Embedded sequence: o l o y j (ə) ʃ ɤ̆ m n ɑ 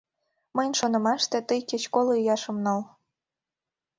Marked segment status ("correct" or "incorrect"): incorrect